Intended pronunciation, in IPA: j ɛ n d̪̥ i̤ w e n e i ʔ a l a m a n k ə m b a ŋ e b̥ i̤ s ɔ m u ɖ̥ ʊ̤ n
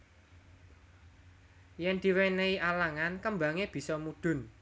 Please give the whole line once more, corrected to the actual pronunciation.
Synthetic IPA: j ɛ n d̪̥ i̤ w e n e i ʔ a l a ŋ a n k ə m b a ŋ e b̥ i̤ s ɔ m u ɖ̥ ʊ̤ n

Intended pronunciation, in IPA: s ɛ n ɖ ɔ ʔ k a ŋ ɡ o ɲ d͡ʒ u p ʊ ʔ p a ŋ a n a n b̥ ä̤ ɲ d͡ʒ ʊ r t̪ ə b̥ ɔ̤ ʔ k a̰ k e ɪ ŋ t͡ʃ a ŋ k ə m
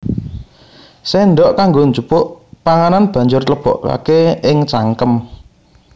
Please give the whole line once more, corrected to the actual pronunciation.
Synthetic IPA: s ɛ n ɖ ɔ ʔ k a ŋ ɡ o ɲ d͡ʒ u p ʊ ʔ p a ŋ a n a n b̥ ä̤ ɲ d͡ʒ ʊ r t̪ ə b̥ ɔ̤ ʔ k a̰ k e ɪ ŋ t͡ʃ a ŋ k ə m

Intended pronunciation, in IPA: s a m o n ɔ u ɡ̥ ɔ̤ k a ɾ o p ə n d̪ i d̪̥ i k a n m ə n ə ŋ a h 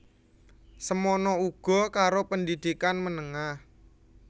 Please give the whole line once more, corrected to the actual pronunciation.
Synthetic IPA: s ə m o n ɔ u ɡ̥ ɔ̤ k a ɾ o p ə n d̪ i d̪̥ i k a n m ə n ə ŋ a h

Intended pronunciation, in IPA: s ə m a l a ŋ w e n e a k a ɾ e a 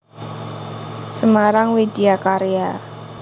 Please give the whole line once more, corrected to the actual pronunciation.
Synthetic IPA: s ə m a ɾ a ŋ w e d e a k a ɾ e a

